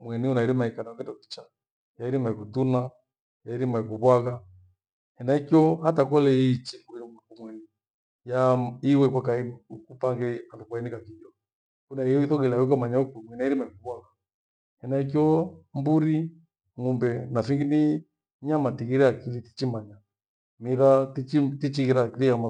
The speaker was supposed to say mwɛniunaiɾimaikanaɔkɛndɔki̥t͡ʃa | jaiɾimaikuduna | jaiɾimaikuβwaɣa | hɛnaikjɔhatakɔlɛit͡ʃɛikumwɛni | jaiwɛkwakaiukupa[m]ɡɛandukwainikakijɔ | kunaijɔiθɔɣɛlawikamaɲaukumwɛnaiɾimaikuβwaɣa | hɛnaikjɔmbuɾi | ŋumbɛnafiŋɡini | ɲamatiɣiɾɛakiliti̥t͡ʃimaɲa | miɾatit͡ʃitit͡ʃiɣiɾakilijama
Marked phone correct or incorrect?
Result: incorrect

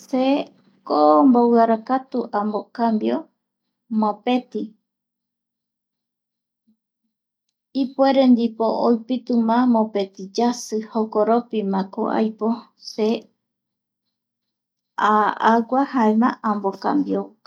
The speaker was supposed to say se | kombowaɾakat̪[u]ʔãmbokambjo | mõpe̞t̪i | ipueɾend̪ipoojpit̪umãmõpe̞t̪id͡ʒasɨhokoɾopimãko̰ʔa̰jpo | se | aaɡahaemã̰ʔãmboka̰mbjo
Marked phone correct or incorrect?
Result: correct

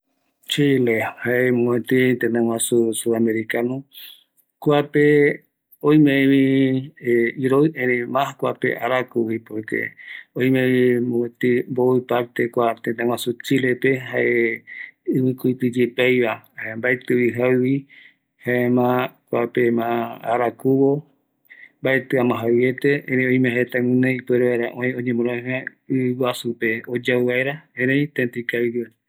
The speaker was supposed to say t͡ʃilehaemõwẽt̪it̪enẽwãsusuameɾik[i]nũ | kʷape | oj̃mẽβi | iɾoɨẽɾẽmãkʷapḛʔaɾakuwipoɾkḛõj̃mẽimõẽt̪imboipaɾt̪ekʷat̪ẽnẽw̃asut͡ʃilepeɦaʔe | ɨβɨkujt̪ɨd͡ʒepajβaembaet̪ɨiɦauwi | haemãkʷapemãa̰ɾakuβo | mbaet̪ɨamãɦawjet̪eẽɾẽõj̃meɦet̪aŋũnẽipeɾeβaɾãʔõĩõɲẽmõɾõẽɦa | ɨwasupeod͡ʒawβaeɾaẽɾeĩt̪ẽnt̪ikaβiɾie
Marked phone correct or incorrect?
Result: incorrect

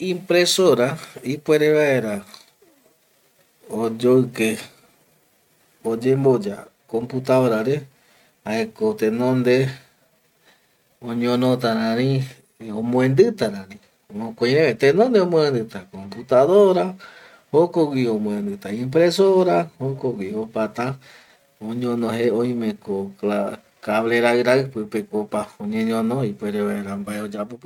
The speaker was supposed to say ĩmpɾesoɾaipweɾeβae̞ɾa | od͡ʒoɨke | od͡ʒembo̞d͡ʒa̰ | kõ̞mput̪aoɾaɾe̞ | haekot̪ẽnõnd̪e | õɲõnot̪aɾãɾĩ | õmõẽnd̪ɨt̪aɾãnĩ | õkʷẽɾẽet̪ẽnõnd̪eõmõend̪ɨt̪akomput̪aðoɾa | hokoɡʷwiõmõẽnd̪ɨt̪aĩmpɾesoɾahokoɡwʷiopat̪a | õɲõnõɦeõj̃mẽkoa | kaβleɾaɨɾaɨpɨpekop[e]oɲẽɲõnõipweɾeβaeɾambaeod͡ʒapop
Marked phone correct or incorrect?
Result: incorrect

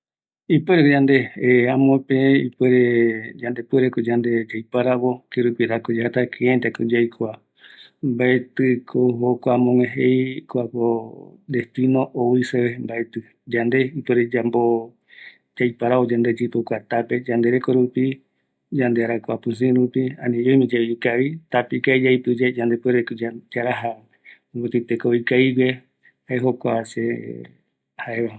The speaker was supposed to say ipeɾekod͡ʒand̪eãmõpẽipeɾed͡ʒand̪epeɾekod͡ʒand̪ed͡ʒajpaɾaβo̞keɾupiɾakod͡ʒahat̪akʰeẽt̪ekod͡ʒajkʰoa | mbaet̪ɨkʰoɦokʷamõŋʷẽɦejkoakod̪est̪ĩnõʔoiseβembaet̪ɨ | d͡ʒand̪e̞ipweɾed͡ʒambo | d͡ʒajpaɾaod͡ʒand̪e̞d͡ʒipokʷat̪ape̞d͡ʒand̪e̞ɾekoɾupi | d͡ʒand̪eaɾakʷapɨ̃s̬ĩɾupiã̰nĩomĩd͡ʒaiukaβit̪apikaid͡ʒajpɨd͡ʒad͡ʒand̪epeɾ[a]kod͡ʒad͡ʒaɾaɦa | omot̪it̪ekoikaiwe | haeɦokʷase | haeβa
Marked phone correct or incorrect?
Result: incorrect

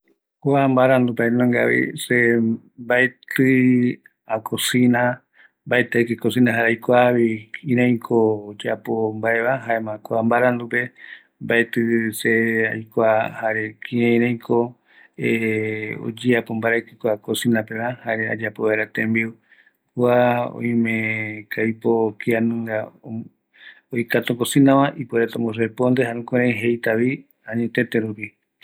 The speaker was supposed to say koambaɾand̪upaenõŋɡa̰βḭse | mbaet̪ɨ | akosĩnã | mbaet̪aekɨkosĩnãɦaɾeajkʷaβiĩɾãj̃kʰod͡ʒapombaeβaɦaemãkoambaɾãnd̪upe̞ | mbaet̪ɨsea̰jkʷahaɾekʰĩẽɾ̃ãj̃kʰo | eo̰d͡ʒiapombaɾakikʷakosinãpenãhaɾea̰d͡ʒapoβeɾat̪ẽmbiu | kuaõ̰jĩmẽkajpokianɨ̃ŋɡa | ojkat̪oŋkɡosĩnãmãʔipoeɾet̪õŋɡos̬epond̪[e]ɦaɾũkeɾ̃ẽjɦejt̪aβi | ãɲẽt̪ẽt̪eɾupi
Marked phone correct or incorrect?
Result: correct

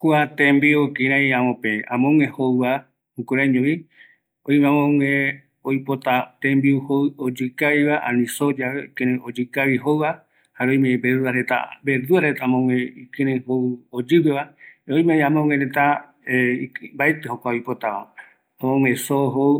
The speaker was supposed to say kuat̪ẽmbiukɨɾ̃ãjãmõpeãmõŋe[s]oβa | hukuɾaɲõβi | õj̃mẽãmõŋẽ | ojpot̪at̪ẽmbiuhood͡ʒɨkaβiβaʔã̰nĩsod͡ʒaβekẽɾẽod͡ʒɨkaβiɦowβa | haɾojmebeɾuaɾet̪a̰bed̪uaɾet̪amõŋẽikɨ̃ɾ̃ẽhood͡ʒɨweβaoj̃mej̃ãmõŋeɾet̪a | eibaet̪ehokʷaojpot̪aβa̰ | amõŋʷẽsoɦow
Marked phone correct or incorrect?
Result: incorrect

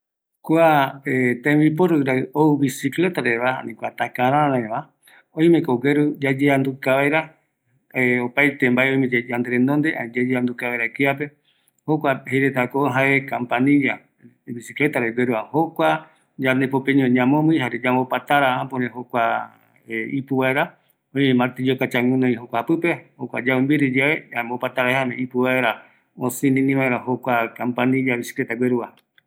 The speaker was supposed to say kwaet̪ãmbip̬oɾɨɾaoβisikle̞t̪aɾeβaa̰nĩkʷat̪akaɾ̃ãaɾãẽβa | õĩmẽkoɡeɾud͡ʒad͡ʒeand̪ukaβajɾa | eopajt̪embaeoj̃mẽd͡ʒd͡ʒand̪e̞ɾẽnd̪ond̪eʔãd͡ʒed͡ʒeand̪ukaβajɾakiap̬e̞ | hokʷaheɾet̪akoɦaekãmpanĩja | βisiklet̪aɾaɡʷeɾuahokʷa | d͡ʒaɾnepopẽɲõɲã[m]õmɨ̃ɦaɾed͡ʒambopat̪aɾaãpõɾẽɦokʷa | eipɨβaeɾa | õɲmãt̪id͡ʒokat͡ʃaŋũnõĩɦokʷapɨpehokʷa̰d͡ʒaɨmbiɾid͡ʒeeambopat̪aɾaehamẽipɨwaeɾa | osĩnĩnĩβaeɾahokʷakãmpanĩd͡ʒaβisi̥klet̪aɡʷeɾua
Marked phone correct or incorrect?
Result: correct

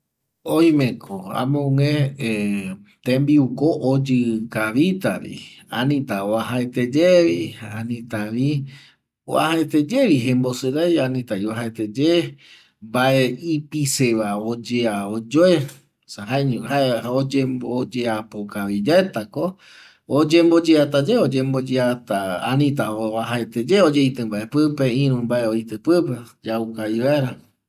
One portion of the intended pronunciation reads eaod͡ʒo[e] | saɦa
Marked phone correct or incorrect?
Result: correct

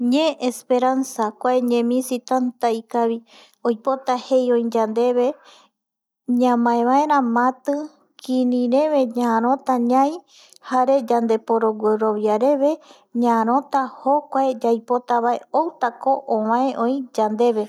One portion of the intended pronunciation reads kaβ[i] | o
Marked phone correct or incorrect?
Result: correct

